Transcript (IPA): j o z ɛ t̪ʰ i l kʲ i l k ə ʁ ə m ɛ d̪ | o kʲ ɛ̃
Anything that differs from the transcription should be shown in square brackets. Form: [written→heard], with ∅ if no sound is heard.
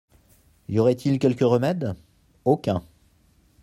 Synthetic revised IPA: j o [z→ʁ] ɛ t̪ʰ i l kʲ [i→ɛ] l k ə ʁ ə m ɛ d̪ | o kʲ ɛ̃